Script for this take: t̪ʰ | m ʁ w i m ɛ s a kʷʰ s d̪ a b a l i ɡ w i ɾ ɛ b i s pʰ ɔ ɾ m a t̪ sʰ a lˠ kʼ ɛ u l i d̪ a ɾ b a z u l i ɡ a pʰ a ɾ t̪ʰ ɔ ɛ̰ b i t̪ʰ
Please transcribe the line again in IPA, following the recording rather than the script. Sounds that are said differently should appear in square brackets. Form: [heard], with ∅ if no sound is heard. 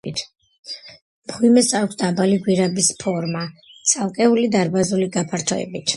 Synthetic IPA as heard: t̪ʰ | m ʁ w i m ɛ s a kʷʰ s d̪ a b a l i ɡ w i ɾ [a] b i s pʰ ɔ ɾ m a t̪ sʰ a lˠ kʼ ɛ u l i d̪ a ɾ b a z u l i ɡ a pʰ a ɾ t̪ʰ ɔ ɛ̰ b i t̪ʰ